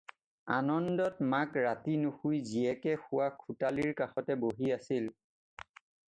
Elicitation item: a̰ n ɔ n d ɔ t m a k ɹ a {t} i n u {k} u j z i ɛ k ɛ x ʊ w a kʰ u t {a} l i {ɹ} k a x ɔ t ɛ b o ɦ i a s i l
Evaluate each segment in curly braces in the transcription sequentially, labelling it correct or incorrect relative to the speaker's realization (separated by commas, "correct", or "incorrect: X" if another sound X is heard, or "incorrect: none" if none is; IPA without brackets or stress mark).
correct, incorrect: x, correct, correct